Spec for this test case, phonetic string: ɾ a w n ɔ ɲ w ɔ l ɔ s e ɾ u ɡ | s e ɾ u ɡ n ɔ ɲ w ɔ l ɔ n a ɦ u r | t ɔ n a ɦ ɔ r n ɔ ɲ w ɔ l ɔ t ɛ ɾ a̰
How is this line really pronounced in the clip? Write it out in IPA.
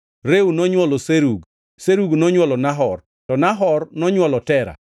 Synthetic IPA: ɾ e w n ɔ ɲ w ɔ l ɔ s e ɾ u ɡ | s e ɾ u ɡ n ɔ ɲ w ɔ l ɔ n a ɦ ɔ r | t ɔ n a ɦ ɔ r n ɔ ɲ w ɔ l ɔ t ɛ ɾ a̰